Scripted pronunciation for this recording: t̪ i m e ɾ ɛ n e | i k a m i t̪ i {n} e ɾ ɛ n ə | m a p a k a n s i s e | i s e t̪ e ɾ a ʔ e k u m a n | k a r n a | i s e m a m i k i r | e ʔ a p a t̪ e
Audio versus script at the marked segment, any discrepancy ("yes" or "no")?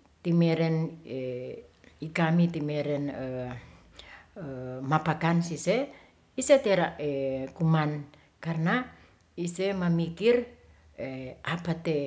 yes